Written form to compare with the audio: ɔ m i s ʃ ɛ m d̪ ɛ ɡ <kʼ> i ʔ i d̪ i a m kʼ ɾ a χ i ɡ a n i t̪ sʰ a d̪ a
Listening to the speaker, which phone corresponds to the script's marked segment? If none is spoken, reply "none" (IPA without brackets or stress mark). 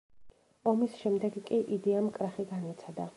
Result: kʼ